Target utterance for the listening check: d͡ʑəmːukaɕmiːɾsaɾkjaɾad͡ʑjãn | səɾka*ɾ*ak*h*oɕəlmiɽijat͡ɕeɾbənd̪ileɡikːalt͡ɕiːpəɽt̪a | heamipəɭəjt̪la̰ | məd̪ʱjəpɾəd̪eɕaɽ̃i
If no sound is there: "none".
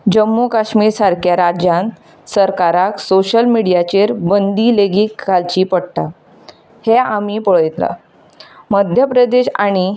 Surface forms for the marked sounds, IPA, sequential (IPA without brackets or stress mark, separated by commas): ɾ, s